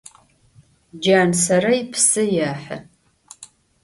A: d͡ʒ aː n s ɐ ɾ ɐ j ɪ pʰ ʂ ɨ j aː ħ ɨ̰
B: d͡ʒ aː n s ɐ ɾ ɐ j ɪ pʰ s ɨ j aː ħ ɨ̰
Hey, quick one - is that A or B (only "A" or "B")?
B